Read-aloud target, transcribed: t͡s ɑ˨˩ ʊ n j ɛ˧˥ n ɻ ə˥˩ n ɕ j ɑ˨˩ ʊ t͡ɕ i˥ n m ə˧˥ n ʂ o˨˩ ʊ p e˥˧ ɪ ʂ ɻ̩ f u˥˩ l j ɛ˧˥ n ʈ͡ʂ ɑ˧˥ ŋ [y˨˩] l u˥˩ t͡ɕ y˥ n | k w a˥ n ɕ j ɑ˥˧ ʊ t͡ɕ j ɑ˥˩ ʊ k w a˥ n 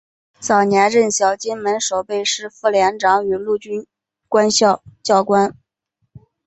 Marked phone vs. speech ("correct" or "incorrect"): correct